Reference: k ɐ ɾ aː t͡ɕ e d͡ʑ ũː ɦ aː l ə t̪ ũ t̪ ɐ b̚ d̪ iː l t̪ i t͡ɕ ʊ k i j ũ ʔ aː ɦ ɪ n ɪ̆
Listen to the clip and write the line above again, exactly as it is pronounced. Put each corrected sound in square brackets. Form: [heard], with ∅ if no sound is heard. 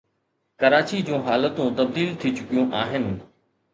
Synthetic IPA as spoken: k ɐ ɾ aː t͡ɕ [i] d͡ʑ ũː ɦ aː l ə t̪ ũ t̪ ɐ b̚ d̪ iː l [t̪ʰ] i t͡ɕ ʊ k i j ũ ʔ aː ɦ ɪ n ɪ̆